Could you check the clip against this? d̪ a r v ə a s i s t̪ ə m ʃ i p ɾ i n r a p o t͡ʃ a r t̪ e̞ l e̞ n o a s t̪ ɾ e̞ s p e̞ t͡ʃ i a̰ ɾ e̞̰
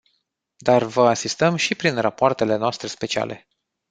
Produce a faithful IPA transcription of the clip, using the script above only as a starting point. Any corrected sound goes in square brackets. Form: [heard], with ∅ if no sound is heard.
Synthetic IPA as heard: d̪ a r v ə a s i s t̪ ə m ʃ i p ɾ i n r a p o [∅] a r t̪ e̞ l e̞ n o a s t̪ ɾ e̞ s p e̞ t͡ʃ i a̰ [l] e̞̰